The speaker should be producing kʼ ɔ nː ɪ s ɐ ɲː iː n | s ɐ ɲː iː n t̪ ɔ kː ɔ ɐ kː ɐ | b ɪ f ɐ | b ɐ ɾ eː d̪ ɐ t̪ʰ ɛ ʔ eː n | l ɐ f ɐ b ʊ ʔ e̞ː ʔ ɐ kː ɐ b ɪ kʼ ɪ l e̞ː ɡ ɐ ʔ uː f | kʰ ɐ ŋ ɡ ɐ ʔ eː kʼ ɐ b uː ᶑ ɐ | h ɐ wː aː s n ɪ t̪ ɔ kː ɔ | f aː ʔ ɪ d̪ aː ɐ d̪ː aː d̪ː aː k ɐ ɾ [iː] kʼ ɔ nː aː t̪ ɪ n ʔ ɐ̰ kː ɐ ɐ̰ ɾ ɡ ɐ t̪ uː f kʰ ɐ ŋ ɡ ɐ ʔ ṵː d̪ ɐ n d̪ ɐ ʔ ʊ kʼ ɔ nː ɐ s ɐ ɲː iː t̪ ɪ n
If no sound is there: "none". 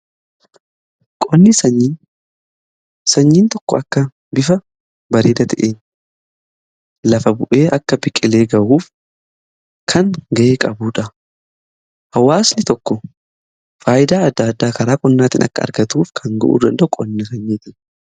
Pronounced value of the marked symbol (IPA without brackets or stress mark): aː